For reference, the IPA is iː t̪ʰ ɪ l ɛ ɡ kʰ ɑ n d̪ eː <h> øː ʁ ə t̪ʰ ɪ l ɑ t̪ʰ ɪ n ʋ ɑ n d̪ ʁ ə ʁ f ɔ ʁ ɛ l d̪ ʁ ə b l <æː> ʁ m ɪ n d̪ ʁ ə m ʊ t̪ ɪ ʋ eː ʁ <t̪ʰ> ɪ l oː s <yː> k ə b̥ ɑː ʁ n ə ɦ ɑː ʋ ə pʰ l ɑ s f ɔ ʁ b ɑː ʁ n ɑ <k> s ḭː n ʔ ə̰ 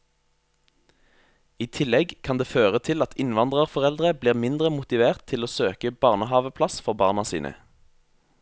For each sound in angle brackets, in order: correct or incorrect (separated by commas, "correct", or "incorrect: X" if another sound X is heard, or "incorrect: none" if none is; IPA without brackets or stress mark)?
incorrect: f, incorrect: iː, correct, incorrect: øː, incorrect: none